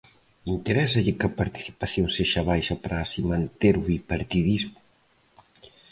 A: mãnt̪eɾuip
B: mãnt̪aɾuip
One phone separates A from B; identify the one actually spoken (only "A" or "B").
A